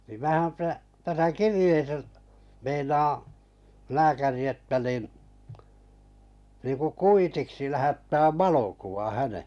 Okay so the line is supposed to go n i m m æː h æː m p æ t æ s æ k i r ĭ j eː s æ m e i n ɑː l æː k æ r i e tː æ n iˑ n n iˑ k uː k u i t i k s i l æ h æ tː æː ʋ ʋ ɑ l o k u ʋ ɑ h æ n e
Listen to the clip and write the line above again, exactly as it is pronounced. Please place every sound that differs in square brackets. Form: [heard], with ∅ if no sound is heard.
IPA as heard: n i m m æː h [æ] m p æ t æ s æ k i r ĭ j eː s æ m e i n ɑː l æː k æ r i e tː æ n iˑ n n iˑ k [u] k u i t i k s i l æ h æ tː æː ʋ ʋ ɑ l o k u ʋ ɑ h æ n e